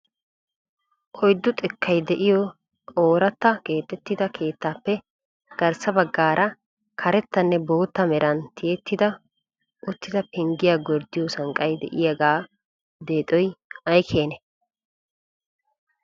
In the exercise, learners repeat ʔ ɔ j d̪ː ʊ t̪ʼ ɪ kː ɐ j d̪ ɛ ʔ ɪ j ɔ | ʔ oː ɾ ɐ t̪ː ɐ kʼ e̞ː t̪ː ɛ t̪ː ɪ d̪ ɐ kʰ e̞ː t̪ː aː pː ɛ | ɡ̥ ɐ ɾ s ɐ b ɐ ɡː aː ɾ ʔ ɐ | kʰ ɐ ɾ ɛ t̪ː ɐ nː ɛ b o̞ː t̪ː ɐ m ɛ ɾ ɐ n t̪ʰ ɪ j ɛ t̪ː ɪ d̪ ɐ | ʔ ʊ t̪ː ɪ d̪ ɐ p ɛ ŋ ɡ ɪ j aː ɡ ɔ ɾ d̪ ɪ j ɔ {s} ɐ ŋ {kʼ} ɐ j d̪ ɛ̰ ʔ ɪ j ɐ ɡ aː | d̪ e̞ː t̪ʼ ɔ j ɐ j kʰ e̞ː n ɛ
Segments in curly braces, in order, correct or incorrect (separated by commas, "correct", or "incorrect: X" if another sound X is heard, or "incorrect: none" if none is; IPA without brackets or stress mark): correct, correct